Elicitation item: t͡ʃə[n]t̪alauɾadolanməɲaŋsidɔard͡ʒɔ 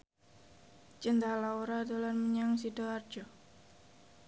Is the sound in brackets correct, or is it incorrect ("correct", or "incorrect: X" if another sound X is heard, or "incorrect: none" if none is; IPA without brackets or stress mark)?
correct